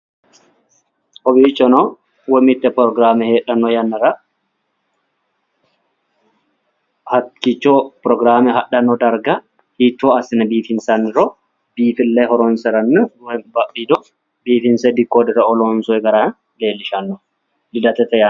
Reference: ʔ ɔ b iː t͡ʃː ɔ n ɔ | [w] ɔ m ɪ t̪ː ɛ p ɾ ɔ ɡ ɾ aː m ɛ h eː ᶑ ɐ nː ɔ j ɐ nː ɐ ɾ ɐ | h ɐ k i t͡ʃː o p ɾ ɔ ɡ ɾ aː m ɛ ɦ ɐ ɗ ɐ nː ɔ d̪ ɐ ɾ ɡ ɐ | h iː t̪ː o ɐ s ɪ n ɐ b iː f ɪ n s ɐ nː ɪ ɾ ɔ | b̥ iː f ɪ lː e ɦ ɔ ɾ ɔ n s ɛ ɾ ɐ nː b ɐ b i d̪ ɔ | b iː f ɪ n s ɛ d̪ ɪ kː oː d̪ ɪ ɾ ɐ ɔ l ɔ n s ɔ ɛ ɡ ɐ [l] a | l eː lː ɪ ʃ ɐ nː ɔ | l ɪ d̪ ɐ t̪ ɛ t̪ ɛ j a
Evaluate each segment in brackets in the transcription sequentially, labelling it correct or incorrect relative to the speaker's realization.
correct, incorrect

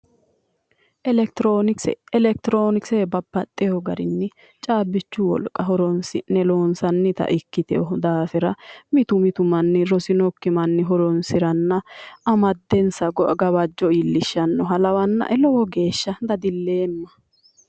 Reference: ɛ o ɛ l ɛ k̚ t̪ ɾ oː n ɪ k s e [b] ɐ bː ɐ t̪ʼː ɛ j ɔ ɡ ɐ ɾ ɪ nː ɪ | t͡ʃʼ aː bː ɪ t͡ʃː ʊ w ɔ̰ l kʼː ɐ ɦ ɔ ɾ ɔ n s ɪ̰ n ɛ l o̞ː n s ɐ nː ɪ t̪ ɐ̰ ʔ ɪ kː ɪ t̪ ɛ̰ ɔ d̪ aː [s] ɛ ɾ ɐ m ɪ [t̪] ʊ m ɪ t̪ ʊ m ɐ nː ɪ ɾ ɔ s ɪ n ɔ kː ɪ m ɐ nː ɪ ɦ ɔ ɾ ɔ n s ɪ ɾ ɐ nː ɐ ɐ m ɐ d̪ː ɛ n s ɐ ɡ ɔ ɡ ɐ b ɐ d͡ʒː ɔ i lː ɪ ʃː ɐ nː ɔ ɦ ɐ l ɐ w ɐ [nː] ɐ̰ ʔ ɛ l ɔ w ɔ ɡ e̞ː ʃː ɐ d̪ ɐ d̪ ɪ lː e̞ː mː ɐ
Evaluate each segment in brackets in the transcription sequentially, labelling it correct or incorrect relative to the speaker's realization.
correct, incorrect, correct, correct

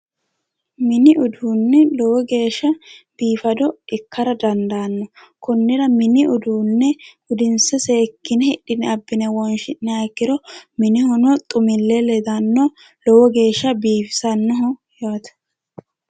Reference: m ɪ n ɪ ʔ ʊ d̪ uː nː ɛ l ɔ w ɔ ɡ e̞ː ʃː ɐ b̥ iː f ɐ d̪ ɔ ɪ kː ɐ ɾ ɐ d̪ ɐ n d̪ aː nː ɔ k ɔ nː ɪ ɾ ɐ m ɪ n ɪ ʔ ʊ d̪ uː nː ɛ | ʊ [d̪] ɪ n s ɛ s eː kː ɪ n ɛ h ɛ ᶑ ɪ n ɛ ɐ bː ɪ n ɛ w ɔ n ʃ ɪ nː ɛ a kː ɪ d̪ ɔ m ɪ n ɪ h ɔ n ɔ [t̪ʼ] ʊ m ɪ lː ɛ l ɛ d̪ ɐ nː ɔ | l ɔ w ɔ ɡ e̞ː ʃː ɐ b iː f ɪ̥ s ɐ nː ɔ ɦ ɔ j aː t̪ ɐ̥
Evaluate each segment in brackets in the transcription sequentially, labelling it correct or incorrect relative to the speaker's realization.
correct, correct

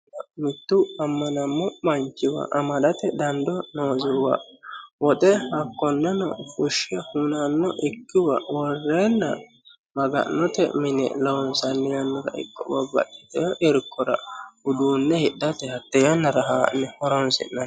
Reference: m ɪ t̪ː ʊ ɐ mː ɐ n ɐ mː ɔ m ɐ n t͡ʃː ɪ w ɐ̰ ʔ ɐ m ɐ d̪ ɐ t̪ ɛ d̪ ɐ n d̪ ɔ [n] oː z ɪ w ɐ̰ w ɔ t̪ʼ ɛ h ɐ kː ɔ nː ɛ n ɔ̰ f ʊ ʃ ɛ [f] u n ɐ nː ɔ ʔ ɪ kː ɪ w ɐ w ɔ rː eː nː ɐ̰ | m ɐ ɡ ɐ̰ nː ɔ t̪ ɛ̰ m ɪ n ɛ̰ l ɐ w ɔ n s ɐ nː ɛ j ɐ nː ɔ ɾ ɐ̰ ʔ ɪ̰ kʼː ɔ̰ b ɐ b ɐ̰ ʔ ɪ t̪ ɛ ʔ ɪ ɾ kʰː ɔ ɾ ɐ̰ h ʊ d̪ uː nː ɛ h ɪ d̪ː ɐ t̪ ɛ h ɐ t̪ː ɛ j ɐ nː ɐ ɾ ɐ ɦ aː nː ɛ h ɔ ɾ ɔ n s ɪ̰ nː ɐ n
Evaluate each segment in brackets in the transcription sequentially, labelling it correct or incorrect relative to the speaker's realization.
correct, incorrect

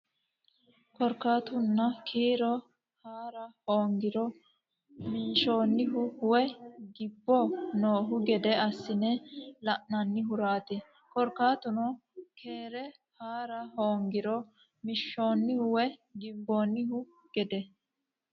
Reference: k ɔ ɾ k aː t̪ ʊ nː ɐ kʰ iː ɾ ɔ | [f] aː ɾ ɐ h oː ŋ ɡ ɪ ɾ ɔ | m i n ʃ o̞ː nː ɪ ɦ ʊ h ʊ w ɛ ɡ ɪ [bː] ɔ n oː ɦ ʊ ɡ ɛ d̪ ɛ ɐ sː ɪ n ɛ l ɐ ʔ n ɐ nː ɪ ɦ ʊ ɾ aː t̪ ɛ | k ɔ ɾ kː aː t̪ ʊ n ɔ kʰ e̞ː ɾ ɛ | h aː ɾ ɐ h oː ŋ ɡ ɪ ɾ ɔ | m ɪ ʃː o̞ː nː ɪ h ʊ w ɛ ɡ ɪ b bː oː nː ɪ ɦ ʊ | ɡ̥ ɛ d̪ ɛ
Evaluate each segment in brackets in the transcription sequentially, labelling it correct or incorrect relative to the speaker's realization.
incorrect, correct

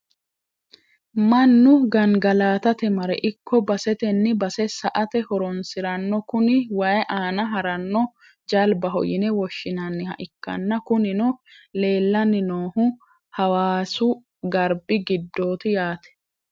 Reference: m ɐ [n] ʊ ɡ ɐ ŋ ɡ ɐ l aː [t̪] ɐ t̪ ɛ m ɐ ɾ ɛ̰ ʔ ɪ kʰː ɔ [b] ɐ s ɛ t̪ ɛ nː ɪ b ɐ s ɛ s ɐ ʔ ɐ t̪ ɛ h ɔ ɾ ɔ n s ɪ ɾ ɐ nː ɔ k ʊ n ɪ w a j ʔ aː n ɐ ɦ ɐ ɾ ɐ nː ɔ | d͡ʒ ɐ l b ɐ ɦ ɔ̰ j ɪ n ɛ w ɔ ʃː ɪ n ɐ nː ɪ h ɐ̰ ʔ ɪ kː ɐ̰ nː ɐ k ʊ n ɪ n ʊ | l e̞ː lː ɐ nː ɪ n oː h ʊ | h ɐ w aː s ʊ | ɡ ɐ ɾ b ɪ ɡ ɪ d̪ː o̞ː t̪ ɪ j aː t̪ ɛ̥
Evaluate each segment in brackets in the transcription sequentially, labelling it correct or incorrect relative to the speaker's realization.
incorrect, correct, correct

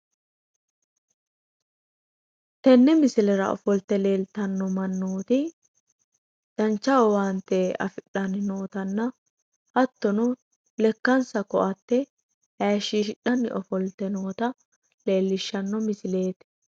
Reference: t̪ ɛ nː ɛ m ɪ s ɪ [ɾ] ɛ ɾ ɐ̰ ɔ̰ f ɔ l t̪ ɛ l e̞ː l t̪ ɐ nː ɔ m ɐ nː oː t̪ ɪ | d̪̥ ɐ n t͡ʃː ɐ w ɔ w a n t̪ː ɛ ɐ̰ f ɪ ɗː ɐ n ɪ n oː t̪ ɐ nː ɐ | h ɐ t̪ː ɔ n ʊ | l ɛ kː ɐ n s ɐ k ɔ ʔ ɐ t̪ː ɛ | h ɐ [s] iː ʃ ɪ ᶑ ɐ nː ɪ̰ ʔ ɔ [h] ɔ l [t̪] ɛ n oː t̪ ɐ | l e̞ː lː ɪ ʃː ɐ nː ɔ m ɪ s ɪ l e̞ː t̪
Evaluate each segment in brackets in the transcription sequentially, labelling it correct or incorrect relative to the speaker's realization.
incorrect, incorrect, incorrect, correct

